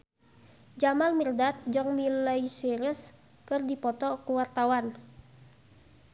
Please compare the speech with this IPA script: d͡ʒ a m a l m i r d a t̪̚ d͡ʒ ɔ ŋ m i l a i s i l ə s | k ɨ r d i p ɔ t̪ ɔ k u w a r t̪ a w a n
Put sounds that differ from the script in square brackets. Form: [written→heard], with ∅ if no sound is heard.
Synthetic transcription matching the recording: d͡ʒ a m a l m i r d a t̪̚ d͡ʒ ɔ ŋ m i l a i s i [l→ɾ] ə s | k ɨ r d i p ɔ t̪ ɔ k u w a r t̪ a w a n